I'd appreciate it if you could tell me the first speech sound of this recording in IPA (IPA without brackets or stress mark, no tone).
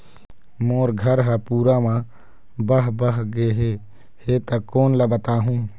m